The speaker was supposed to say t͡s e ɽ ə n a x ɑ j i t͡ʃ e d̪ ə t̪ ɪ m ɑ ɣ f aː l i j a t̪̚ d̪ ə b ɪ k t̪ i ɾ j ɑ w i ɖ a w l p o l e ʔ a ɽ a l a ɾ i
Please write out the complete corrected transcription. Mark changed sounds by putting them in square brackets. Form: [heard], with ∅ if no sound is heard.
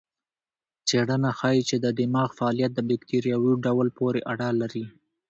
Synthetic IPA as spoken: t͡s e ɽ ə n a x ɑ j i t͡ʃ e d̪ ə [d̪] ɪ m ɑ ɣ f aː l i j a t̪̚ d̪ ə b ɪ k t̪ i ɾ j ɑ w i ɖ a w l p o [ɾ] e ʔ a ɽ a l a ɾ i